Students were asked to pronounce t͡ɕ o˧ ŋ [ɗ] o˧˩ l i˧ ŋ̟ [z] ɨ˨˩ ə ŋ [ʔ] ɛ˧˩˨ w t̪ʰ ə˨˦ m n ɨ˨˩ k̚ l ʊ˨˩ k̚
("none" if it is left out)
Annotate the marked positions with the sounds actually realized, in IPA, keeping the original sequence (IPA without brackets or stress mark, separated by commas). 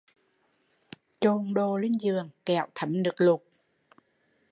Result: ɗ, z, k